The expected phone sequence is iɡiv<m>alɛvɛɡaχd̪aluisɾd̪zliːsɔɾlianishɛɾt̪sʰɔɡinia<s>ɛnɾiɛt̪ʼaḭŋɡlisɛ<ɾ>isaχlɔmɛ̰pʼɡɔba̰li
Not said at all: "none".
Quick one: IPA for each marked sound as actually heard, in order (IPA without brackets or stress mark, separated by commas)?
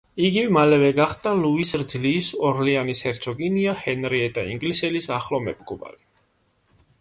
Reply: m, h, l